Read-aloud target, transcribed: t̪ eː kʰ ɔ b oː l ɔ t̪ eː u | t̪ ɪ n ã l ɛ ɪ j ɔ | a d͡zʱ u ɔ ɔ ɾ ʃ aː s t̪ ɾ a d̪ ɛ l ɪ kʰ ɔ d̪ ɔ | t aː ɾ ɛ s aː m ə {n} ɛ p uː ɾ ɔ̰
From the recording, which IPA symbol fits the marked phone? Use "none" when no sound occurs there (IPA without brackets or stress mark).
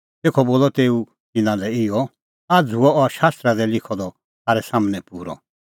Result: n